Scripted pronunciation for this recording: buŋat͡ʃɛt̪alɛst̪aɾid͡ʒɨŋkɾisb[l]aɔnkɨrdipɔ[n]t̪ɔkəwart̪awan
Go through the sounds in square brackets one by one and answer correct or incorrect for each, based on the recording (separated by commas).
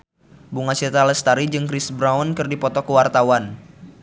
incorrect, incorrect